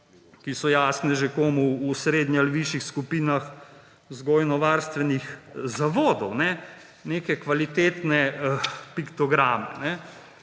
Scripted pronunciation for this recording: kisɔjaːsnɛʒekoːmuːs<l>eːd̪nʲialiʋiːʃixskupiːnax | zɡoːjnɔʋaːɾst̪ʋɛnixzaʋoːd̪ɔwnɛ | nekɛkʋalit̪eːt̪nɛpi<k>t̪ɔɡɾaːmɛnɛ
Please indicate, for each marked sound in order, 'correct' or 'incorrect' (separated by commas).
incorrect, correct